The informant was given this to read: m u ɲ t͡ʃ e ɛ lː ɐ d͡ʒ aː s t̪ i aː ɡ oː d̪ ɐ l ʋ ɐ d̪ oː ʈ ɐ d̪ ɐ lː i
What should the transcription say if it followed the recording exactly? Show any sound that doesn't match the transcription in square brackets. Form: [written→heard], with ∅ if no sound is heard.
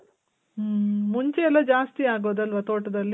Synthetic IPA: m u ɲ t͡ʃ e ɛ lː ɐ d͡ʒ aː s t̪ i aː ɡ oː d̪ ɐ l ʋ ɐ [d̪→t̪] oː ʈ ɐ d̪ ɐ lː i